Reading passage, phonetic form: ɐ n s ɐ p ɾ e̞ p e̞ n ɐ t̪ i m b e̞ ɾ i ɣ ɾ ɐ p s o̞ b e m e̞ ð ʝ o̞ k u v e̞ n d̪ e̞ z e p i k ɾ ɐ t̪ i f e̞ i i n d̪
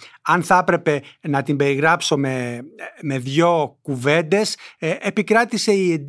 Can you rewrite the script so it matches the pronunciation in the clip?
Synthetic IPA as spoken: ɐ n θ ɐ p ɾ e̞ p e̞ n ɐ t̪ i m b e̞ ɾ i ɣ ɾ ɐ p s o̞ m e m e̞ ð ʝ o̞ k u v e̞ n d̪ e̞ s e p i k ɾ ɐ t̪ i s e̞ i e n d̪